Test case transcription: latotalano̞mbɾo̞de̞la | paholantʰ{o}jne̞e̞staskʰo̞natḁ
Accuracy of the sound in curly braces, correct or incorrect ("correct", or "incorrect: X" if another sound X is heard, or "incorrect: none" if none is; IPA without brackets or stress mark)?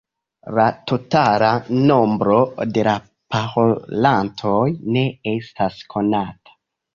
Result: correct